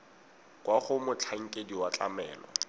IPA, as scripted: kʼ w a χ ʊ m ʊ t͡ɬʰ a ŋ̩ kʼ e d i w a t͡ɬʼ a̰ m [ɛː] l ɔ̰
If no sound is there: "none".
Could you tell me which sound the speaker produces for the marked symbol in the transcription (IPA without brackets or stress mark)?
ɛː